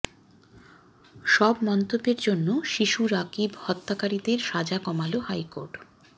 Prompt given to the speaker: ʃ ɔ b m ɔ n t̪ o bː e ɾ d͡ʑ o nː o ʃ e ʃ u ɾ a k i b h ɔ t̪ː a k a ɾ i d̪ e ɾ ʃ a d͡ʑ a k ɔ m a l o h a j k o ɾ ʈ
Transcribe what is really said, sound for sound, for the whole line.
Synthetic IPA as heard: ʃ ɔ b m ɔ n t̪ o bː e ɾ d͡ʑ o nː o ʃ i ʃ u ɾ a k i b h ɔ t̪ː a k a ɾ i d̪ e ɾ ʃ a d͡ʑ a k ɔ m a l o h a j k o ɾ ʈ